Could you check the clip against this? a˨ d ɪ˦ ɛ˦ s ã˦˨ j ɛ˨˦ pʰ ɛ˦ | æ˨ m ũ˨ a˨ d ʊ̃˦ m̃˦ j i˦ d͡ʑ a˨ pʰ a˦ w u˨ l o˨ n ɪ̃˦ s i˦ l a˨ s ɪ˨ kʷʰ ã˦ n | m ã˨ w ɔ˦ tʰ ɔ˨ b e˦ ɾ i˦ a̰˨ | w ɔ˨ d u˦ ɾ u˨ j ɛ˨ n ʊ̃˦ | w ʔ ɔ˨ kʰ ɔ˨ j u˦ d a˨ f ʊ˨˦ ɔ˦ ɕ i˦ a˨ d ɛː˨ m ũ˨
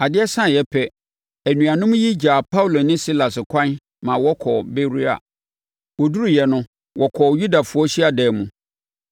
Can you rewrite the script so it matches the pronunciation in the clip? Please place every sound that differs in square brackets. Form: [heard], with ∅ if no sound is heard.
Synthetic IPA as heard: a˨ d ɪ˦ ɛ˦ s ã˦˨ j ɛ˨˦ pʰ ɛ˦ | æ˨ [n] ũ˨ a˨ [n] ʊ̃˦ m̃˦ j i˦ d͡ʑ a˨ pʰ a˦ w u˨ l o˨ n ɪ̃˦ s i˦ l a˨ s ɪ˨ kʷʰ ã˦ n | m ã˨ w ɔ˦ [kʰ] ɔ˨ b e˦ ɾ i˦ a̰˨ | w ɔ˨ d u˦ ɾ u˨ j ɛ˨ n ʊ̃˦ | w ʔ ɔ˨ kʰ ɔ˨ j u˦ d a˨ f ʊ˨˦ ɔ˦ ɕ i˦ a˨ d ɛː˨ m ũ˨